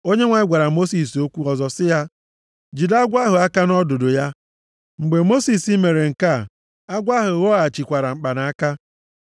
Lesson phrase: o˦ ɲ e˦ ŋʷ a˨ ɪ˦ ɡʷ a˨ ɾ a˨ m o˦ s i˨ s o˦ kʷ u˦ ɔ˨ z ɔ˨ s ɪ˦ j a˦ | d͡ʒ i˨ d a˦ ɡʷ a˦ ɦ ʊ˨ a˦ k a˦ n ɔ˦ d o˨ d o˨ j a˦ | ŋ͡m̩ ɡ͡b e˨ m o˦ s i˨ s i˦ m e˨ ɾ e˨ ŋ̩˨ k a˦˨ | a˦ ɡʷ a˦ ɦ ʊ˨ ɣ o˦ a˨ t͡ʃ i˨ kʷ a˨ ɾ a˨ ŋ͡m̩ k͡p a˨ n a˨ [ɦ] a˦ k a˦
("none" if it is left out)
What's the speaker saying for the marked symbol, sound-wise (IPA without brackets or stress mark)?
none